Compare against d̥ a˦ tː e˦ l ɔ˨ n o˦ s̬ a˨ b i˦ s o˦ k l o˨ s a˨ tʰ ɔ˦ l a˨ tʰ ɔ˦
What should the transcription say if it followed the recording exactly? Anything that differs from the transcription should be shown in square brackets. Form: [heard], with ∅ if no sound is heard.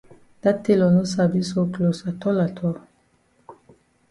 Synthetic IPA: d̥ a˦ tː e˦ l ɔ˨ n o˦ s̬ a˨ b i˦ s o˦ k l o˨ s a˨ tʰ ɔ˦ l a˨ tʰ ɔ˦